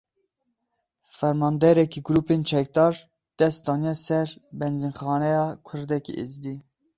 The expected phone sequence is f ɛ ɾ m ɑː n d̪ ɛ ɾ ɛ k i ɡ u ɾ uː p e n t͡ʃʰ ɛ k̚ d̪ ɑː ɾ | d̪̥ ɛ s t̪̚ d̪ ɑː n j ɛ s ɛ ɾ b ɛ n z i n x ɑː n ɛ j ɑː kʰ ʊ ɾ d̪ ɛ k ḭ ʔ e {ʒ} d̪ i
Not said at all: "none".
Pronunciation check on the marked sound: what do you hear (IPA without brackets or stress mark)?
z